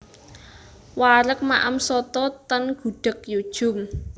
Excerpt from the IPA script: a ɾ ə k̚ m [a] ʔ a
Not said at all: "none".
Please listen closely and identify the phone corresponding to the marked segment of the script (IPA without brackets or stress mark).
a